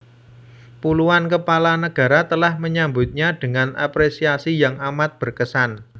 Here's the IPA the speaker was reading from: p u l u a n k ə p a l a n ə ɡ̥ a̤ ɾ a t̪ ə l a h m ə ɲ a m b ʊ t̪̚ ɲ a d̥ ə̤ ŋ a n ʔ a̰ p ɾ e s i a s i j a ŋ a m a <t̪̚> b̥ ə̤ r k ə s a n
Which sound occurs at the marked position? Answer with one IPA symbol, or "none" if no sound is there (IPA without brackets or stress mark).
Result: t̪̚